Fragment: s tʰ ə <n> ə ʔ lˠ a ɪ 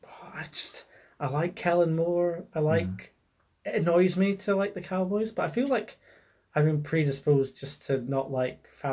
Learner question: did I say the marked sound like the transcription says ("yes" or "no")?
yes